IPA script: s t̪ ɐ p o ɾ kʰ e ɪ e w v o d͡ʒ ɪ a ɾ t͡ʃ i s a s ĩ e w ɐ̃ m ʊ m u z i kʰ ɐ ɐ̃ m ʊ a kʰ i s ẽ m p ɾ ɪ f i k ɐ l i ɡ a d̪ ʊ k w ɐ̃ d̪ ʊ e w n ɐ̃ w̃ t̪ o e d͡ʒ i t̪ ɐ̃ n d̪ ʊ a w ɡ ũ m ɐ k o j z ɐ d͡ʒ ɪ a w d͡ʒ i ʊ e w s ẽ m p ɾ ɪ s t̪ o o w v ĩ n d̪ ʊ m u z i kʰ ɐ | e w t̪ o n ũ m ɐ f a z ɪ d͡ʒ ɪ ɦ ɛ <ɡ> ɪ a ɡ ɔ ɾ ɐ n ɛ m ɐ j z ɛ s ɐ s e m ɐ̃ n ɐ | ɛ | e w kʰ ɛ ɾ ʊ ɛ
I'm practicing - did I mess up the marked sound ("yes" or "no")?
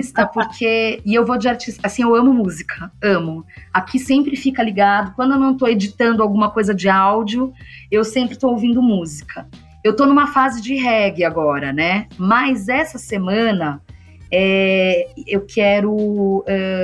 no